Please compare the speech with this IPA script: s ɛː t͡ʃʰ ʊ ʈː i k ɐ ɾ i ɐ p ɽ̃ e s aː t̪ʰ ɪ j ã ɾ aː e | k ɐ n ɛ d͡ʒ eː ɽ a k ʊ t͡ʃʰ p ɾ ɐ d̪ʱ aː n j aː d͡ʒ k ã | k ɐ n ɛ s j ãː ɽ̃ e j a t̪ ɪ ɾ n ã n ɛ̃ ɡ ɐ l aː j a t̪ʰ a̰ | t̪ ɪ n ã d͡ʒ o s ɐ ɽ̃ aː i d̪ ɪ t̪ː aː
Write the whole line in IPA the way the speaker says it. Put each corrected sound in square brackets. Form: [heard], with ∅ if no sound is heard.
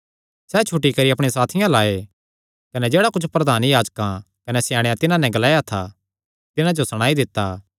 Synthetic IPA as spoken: s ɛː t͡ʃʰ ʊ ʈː i k ɐ ɾ i ɐ p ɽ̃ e s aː t̪ʰ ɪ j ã [l] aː e | k ɐ n ɛ d͡ʒ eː ɽ a k ʊ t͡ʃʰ p ɾ ɐ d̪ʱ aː n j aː d͡ʒ k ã | k ɐ n ɛ s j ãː ɽ̃ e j a t̪ ɪ [∅] n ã n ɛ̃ ɡ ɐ l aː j a t̪ʰ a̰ | t̪ ɪ n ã d͡ʒ o s ɐ ɽ̃ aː i d̪ ɪ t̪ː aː